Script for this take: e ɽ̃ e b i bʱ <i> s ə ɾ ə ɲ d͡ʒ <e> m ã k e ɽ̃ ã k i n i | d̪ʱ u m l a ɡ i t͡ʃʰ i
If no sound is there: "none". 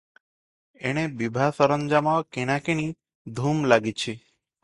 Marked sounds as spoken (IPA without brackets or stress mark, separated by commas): a, a